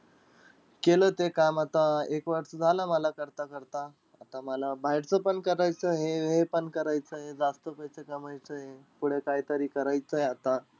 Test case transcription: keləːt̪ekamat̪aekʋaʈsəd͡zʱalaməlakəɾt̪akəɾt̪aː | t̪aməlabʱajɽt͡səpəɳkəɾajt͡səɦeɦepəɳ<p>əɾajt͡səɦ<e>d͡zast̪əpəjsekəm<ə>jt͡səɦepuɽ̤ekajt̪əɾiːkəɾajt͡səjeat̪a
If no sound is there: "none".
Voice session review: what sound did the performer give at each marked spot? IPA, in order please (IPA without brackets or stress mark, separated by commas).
k, e, a